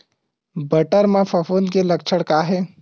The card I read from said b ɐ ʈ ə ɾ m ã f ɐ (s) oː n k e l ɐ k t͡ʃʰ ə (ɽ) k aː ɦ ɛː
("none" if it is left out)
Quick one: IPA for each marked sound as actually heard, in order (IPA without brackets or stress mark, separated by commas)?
f, ɽ